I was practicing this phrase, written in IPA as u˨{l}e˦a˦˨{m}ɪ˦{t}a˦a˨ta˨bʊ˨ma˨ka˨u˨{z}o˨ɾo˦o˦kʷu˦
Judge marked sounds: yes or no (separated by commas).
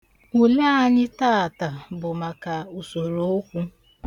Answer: yes, no, yes, no